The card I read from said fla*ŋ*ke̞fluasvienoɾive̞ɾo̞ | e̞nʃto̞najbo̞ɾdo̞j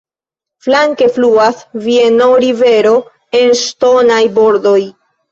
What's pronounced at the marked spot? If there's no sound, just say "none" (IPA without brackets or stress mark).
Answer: ŋ